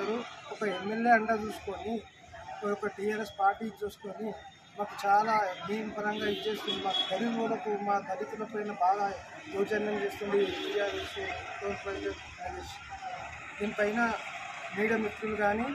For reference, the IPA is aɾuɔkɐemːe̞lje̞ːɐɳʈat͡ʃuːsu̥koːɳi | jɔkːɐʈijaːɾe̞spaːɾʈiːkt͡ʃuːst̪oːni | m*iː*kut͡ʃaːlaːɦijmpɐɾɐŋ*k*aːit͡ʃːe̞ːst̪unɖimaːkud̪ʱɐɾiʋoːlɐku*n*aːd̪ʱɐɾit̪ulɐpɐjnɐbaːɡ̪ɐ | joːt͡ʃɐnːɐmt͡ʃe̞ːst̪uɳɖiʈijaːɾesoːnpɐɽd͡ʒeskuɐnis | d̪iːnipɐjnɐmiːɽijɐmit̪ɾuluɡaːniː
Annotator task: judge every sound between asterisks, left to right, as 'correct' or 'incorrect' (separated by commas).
incorrect, incorrect, incorrect